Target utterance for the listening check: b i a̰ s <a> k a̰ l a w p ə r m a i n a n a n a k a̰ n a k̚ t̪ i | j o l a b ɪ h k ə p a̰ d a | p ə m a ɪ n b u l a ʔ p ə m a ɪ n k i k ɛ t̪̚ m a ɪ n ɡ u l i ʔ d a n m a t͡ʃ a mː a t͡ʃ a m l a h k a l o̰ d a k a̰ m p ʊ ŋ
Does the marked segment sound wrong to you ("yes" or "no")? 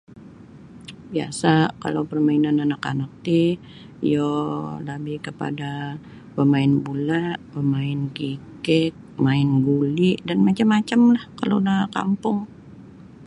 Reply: no